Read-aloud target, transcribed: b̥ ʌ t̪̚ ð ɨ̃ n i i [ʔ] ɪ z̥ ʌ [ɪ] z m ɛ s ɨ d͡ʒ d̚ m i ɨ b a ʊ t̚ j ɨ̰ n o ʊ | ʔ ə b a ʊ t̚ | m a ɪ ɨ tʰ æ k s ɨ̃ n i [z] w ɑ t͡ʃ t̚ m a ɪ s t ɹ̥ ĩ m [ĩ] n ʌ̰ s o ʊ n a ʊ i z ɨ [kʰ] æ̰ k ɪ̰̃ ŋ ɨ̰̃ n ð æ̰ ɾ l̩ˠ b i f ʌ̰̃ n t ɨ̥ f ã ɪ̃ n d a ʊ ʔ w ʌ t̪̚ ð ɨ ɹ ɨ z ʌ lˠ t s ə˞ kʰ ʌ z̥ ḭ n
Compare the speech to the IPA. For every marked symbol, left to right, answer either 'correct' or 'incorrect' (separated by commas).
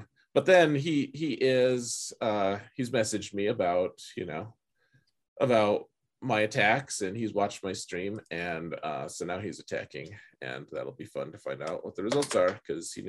correct, incorrect, correct, incorrect, incorrect